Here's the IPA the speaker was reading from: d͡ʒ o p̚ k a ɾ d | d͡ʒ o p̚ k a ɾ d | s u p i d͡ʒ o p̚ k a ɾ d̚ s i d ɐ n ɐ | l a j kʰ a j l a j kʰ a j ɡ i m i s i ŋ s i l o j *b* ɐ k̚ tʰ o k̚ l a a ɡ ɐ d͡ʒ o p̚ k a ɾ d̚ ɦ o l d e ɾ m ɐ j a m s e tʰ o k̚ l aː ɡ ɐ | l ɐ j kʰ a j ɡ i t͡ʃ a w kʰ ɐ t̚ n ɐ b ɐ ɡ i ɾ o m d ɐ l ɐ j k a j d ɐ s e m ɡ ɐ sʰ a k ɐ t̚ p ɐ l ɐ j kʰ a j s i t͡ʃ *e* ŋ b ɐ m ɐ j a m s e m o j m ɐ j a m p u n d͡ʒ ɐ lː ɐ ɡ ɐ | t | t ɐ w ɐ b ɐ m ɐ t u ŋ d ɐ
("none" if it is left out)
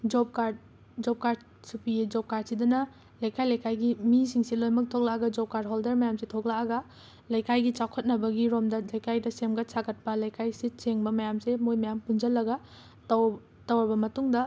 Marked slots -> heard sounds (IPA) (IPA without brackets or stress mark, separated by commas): m, e